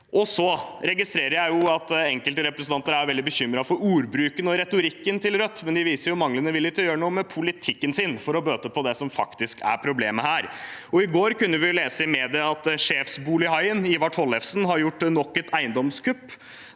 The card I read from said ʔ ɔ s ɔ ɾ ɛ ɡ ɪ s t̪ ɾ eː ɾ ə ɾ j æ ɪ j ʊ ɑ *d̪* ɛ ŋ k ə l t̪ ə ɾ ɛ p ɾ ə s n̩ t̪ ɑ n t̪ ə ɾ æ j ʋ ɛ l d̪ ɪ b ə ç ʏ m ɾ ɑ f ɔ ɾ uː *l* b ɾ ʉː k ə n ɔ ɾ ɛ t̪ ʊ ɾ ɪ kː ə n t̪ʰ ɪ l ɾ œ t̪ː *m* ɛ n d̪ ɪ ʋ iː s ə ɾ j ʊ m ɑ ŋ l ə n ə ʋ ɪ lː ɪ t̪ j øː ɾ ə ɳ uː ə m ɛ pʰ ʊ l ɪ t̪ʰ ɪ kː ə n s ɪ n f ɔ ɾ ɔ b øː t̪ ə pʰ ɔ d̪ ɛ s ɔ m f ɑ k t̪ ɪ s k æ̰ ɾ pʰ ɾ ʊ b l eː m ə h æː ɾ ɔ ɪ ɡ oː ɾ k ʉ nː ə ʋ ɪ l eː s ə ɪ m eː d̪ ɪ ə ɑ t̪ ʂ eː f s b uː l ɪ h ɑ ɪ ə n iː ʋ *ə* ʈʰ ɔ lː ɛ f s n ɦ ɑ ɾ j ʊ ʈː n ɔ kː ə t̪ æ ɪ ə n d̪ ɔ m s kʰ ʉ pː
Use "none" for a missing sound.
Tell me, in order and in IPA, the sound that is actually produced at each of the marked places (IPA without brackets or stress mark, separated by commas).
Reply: t̪, ɾ, m, ɑ